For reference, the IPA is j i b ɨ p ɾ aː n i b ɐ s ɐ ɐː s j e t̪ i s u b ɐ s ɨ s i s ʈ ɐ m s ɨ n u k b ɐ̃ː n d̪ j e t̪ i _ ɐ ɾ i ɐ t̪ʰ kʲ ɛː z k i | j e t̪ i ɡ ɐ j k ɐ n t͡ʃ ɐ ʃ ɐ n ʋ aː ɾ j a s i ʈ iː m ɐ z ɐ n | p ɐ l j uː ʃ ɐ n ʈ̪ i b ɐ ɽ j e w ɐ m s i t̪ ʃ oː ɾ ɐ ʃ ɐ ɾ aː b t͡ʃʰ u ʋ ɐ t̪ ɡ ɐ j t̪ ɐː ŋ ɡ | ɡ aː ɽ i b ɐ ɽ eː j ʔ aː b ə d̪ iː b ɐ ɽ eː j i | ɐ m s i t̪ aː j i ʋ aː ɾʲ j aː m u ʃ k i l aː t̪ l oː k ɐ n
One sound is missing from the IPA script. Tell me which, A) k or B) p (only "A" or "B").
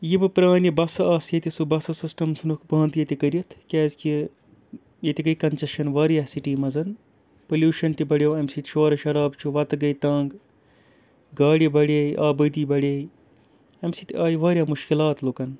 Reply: A